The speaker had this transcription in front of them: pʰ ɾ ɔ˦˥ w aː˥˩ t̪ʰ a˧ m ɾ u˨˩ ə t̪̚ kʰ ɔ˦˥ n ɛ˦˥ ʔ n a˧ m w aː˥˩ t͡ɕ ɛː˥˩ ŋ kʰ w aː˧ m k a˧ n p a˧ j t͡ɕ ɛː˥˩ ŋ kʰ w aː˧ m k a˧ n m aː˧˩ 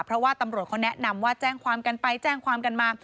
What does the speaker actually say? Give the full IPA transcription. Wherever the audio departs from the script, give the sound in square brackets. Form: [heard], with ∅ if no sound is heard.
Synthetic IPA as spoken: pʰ ɾ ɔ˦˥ w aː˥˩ [t̪] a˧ m ɾ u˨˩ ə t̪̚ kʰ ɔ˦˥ n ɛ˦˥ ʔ n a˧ m w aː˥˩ t͡ɕ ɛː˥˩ ŋ kʰ w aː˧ m k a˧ n p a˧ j t͡ɕ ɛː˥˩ ŋ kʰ w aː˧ m k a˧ n m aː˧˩